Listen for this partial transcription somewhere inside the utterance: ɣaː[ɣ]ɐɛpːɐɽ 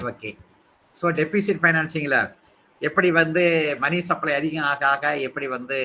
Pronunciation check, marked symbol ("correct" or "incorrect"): correct